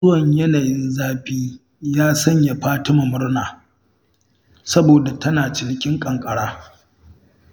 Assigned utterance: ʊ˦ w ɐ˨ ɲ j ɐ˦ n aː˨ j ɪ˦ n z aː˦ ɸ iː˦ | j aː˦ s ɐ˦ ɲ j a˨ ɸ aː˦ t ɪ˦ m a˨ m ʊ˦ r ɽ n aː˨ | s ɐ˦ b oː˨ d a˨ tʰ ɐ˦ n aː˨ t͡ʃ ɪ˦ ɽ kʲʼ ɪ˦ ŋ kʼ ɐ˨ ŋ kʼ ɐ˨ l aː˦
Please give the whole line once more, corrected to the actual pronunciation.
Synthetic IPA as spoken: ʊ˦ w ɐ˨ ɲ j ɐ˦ n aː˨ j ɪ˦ n z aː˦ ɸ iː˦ | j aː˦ s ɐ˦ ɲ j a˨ ɸ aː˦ t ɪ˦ m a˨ m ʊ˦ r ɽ n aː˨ | s ɐ˦ b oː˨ d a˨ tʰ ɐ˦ n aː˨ t͡ʃ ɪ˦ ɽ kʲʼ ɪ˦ ŋ kʼ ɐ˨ ŋ kʼ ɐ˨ ɽ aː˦